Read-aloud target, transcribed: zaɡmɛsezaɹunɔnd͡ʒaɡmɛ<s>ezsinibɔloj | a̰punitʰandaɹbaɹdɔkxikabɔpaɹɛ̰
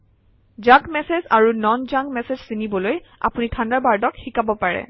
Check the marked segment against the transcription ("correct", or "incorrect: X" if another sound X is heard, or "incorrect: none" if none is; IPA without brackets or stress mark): correct